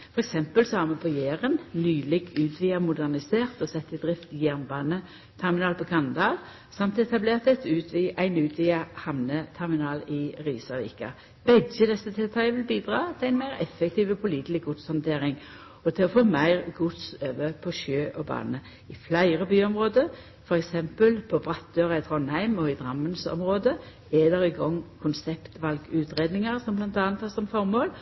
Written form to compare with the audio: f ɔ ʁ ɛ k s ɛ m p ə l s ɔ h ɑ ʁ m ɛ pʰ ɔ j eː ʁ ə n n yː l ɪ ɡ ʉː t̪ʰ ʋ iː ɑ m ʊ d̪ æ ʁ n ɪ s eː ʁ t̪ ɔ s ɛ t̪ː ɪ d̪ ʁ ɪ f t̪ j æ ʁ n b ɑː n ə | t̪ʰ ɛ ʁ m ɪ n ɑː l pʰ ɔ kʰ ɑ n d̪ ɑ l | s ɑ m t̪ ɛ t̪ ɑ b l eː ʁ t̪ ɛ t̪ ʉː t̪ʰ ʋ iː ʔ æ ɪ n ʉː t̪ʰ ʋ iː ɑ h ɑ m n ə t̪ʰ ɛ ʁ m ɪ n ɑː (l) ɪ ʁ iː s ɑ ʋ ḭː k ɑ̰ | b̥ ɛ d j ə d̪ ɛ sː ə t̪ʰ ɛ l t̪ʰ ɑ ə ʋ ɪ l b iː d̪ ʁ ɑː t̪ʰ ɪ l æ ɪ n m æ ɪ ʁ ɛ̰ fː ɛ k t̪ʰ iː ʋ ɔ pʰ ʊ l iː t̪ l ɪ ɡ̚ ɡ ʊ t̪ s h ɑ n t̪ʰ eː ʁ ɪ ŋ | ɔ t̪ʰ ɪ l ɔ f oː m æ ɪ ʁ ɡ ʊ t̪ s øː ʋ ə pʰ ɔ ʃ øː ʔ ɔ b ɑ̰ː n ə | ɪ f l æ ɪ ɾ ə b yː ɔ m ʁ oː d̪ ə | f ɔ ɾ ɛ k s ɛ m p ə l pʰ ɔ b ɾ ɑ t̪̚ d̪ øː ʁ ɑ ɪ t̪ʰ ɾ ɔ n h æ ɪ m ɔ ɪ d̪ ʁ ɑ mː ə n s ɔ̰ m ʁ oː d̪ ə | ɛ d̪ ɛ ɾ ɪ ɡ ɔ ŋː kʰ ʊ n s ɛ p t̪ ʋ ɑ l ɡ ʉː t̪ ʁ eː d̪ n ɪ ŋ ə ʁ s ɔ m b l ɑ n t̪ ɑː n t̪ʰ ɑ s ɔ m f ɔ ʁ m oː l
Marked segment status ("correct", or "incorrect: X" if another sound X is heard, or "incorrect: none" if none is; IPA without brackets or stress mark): correct